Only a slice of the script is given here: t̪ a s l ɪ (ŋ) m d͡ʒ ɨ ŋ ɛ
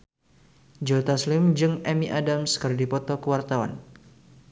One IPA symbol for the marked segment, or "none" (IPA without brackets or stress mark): none